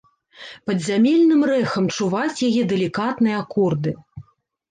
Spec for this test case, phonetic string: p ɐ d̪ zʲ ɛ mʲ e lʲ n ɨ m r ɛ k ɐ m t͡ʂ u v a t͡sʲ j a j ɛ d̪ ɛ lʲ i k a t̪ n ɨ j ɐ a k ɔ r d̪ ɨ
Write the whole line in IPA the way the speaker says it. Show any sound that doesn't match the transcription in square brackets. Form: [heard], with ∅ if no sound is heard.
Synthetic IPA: p ɐ d̪ zʲ [a] mʲ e lʲ n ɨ m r ɛ [x] ɐ m t͡ʂ u v a t͡sʲ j a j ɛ d̪ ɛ lʲ i k a t̪ n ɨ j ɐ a k ɔ r d̪ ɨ